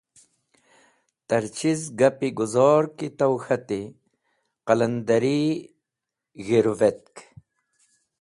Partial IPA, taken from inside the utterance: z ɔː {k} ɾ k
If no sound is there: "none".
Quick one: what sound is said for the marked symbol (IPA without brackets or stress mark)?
none